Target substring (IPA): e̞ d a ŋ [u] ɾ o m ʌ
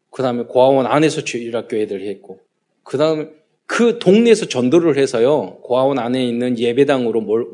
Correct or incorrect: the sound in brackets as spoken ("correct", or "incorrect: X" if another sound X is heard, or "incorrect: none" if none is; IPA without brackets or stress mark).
incorrect: ɯ